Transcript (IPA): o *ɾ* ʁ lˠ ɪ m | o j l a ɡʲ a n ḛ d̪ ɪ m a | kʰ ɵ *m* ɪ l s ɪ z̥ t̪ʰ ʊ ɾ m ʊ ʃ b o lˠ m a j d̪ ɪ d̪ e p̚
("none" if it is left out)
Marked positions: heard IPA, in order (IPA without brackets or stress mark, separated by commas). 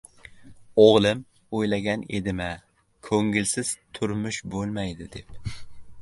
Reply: none, ŋ